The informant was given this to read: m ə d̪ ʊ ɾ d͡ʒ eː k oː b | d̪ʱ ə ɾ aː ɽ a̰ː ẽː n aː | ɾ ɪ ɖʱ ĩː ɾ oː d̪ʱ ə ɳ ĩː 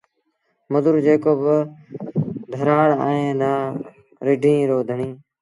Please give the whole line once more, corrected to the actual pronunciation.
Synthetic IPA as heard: m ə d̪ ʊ ɾ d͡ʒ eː k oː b | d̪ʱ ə ɾ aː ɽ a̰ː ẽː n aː | ɾ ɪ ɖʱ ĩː ɾ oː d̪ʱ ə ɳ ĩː

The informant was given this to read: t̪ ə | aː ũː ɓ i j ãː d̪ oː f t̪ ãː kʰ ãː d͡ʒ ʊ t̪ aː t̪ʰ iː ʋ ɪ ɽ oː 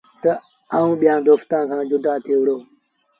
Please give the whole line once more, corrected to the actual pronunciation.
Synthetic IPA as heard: t̪ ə | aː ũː ɓ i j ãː d̪ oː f t̪ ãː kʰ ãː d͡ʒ ʊ d̪ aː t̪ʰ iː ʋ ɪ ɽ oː

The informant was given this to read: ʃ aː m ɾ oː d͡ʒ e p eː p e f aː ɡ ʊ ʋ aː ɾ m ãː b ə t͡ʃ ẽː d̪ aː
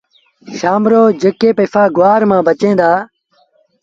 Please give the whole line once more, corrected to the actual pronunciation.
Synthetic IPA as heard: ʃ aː m ɾ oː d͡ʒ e k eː p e f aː ɡ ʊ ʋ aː ɾ m ãː b ə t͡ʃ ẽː d̪ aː

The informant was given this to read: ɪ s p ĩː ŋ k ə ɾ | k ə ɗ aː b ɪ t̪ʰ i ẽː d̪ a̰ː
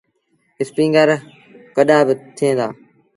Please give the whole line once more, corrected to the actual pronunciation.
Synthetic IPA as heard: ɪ s p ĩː ŋ ɡ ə ɾ | k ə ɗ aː b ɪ t̪ʰ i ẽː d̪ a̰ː

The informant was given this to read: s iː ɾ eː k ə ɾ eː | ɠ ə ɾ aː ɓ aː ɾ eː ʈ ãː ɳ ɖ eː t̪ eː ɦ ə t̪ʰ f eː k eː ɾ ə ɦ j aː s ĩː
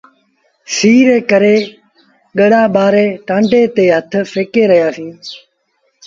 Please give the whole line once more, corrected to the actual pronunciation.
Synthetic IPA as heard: s iː ɾ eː k ə ɾ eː | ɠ ə ɽ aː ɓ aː ɾ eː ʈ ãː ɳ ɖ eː t̪ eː ɦ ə t̪ʰ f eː k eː ɾ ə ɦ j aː s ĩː

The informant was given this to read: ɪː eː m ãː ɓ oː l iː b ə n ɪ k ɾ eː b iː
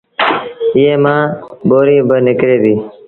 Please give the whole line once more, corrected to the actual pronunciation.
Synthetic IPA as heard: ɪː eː m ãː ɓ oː ɾ iː b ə n ɪ k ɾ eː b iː

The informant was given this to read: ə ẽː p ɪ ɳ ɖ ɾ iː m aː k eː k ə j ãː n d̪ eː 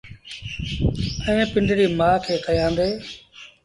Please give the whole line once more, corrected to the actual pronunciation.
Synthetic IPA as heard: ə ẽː p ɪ ɳ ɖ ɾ iː m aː kʰ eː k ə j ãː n d̪ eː

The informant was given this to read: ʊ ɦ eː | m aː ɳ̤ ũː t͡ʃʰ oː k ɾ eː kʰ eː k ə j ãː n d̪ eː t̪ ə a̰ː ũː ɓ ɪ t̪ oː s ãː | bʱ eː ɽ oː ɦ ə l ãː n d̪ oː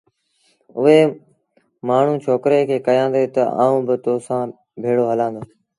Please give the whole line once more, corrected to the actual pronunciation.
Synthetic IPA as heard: ʊ ɦ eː | m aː ɳ̤ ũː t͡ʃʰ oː k ɾ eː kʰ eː k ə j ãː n d̪ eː t̪ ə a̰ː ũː b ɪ t̪ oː s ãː | bʱ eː ɽ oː ɦ ə l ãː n d̪ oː

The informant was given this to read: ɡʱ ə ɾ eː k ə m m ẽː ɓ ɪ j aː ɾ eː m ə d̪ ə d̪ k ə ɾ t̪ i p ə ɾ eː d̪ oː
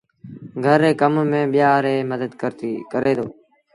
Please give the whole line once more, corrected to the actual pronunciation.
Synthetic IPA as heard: ɡʱ ə ɾ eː k ə m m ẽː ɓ ɪ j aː ɾ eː m ə d̪ ə d̪ k ə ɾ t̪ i k ə ɾ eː d̪ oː

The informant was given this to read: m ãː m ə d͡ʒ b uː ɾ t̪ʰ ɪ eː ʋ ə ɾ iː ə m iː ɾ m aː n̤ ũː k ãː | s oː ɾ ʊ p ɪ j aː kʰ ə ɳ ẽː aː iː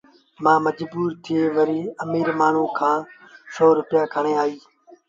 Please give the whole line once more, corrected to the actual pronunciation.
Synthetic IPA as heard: m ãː m ə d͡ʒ b uː ɾ t̪ʰ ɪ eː ʋ ə ɾ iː ə m iː ɾ m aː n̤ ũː kʰ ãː | s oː ɾ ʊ p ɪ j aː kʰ ə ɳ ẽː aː iː

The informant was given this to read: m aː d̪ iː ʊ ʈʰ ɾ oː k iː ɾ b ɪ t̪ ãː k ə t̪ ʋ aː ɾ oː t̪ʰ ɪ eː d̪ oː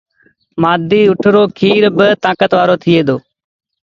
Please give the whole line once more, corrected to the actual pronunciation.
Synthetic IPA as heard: m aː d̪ iː ʊ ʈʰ ɾ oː kʰ iː ɾ b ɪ t̪ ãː k ə t̪ ʋ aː ɾ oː t̪ʰ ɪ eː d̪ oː

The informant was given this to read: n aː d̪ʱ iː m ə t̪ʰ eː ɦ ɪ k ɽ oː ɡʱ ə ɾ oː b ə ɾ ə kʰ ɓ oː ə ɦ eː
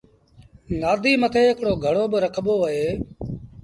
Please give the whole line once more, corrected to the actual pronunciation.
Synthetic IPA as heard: n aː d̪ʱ iː m ə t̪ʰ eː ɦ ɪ k ɽ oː ɡʱ ə ɽ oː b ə ɾ ə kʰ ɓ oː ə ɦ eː

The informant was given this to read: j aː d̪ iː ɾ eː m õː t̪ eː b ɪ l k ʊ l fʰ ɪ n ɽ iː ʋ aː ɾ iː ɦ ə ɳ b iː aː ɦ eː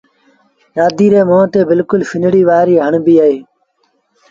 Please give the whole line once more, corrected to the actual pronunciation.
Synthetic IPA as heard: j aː d̪ iː ɾ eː m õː t̪ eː b ɪ l k ʊ l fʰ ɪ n ɽ iː ʋ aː ɾ iː ɦ ə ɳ b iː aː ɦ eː

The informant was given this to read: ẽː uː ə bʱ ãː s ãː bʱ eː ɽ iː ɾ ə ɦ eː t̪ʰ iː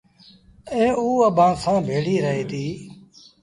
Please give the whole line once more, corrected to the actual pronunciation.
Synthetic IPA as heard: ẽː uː ə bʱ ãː s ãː bʱ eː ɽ iː ɾ ə ɦ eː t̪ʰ iː

